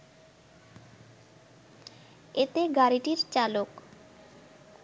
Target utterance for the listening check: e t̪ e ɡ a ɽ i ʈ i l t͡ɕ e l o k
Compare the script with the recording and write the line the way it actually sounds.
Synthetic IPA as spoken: e t̪ e ɡ a ɾ i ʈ i ɾ t͡ɕ a l o k